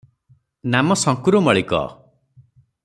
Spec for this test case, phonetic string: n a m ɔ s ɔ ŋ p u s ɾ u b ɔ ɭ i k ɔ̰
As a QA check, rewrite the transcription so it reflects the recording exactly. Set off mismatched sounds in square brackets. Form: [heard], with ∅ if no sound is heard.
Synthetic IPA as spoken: n a m ɔ s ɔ ŋ [k] u [∅] ɾ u [m] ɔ ɭ i k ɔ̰